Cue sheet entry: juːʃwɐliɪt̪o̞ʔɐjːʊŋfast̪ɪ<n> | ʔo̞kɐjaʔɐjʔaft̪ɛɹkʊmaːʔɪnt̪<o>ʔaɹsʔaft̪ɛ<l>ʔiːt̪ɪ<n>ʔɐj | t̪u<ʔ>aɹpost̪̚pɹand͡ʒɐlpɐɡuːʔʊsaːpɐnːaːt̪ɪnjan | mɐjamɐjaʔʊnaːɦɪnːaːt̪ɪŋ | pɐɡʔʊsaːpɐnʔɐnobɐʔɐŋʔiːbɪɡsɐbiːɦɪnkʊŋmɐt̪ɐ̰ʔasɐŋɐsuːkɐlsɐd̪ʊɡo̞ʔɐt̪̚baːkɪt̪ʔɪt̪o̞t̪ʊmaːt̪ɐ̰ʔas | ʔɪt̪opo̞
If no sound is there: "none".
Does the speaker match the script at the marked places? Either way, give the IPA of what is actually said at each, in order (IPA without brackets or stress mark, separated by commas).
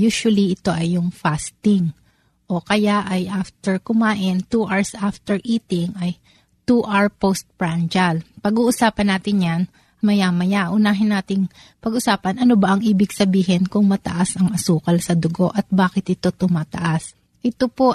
ŋ, u, ɹ, ŋ, ʔ